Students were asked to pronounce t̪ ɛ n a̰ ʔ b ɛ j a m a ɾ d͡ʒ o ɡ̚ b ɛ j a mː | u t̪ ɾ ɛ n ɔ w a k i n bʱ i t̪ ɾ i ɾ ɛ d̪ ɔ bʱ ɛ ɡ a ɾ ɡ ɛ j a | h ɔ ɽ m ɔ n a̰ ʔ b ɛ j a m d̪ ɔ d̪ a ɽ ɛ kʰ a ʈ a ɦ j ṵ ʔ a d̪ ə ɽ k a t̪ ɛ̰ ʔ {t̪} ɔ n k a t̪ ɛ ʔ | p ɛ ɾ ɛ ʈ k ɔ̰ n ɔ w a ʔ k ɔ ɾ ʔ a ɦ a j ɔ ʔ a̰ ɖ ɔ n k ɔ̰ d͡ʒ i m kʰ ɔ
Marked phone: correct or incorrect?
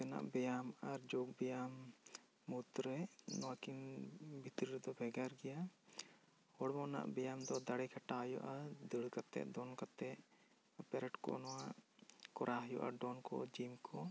incorrect